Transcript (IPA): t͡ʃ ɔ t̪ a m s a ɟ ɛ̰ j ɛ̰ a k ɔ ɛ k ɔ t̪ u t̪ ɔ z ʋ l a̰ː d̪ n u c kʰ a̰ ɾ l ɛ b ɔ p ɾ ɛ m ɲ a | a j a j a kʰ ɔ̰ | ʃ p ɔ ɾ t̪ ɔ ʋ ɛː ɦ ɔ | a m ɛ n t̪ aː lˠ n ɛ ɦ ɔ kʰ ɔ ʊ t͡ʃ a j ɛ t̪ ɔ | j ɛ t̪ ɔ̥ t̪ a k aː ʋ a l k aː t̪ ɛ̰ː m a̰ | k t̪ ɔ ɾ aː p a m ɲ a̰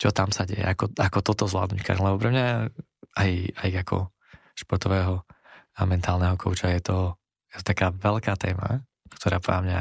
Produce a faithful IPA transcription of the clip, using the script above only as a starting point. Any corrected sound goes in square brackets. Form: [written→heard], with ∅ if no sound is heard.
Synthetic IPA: t͡ʃ ɔ t̪ a m s a ɟ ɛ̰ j ɛ̰ a k ɔ [ɛ→a] k ɔ t̪ [u→ɔ] t̪ ɔ z ʋ l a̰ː d̪ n u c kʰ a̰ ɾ l ɛ b ɔ p ɾ ɛ m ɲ a | a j a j a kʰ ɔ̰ | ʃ p ɔ ɾ t̪ ɔ ʋ ɛː ɦ ɔ | a m ɛ n t̪ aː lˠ n ɛ ɦ ɔ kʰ ɔ ʊ t͡ʃ a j ɛ t̪ ɔ | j ɛ t̪ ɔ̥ t̪ a k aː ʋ [a→ɛ] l k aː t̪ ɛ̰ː m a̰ | k t̪ ɔ ɾ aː p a m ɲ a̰